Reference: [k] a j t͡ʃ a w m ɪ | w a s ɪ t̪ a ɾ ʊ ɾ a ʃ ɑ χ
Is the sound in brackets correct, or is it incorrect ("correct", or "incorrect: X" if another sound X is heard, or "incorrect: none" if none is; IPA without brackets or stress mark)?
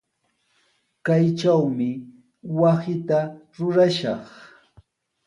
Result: correct